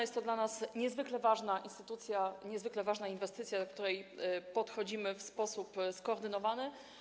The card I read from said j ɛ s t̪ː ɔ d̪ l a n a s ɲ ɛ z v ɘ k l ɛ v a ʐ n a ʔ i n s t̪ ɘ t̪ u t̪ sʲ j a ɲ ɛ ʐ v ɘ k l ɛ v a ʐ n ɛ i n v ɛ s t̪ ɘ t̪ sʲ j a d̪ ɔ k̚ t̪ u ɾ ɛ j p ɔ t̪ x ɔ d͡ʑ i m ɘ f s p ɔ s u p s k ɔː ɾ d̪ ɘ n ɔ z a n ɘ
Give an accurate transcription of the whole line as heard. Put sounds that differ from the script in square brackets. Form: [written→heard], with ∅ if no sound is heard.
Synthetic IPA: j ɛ s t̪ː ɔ d̪ l a n a s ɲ ɛ z v ɘ k l ɛ v a ʐ n a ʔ i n s t̪ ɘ t̪ u t̪ sʲ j a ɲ ɛ [ʐ→z] v ɘ k l ɛ v a ʐ n [ɛ→a] i n v ɛ s t̪ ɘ t̪ sʲ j a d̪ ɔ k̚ t̪ u ɾ ɛ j p ɔ t̪ x ɔ d͡ʑ i m ɘ f s p ɔ s u p s k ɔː ɾ d̪ ɘ n ɔ [z→v] a n ɘ